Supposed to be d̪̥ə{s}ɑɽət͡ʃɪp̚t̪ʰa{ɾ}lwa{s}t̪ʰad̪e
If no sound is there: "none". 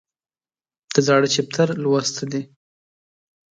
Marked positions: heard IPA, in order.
z, ɾ, s

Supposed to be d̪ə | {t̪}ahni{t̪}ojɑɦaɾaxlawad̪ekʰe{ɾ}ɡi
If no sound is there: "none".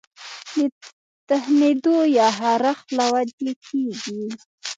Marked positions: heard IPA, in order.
t̪, d̪, none

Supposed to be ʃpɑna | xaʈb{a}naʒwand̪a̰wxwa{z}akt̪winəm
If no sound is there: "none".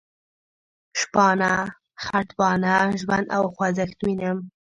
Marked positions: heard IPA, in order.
ɑ, z

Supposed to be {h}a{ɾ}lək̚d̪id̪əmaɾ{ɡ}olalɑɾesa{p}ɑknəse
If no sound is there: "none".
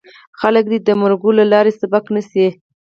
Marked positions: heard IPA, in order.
x, none, ɡ, b

